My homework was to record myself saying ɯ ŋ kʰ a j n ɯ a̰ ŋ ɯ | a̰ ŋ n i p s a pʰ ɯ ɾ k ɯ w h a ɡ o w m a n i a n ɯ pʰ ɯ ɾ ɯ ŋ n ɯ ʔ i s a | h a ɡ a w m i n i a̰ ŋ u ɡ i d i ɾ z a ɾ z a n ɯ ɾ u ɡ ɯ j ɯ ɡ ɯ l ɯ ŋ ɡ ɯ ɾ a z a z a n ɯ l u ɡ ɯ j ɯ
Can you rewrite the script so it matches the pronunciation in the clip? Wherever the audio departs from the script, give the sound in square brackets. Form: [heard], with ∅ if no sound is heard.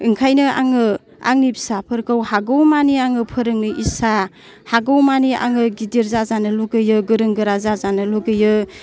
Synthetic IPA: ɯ ŋ kʰ a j n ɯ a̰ ŋ ɯ | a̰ ŋ n i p s a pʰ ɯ ɾ k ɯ w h a ɡ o w m a n i a [ŋ] ɯ pʰ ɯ ɾ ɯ ŋ n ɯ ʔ i s a | h a ɡ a w m [a] n i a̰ ŋ [ɯ] ɡ i d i ɾ z a [∅] z a n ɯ [l] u ɡ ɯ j ɯ ɡ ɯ [ɾ] ɯ ŋ ɡ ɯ ɾ a z a z a n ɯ l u ɡ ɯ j ɯ